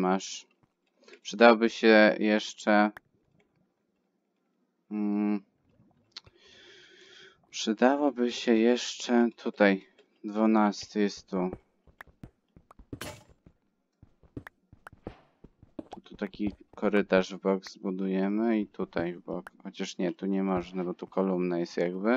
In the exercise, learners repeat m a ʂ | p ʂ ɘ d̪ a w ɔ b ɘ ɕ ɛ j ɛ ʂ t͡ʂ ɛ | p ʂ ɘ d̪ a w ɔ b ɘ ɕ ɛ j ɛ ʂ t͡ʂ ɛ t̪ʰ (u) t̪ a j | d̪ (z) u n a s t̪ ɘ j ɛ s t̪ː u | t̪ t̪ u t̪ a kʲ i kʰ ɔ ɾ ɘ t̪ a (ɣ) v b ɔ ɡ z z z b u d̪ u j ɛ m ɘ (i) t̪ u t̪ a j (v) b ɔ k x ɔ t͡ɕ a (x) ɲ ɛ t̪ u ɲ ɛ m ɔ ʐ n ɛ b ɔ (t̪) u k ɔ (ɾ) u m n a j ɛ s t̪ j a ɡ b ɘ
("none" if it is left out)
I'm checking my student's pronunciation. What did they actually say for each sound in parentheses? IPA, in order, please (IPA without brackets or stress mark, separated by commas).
u, v, ʐ, i, v, ʂ, t̪, l